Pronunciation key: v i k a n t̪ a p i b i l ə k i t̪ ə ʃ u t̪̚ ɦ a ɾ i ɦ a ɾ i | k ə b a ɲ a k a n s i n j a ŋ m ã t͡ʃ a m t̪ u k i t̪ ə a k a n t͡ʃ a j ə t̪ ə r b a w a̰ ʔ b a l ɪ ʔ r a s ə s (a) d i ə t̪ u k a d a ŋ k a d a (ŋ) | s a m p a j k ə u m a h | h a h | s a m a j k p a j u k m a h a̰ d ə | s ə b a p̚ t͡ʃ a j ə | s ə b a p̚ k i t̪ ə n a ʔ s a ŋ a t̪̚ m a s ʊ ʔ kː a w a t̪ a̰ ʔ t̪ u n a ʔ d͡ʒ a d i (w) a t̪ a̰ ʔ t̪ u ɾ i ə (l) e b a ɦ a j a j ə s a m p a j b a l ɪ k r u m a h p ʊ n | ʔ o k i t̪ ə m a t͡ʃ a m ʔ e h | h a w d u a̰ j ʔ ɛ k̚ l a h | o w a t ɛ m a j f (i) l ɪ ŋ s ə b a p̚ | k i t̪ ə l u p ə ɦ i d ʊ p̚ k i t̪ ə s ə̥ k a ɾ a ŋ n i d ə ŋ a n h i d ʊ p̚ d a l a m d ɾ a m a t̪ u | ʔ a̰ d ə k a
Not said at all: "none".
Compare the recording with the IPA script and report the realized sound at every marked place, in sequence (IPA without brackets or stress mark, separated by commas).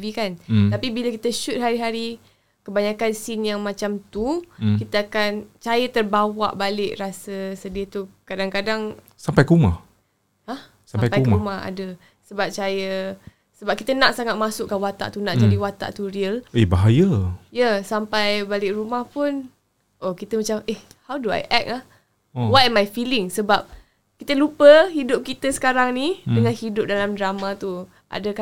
ə, ŋ, w, l, i